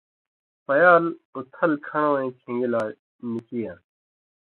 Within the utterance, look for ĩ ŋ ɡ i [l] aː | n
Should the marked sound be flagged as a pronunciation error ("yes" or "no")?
no